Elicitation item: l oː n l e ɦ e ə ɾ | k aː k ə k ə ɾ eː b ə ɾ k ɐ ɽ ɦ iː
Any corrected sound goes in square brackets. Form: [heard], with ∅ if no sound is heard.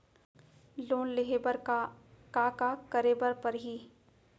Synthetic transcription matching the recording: l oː n l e ɦ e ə ɾ | k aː k [a] k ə ɾ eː b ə ɾ [p] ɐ [ɾ] ɦ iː